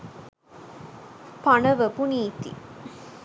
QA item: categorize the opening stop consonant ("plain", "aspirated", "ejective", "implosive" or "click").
plain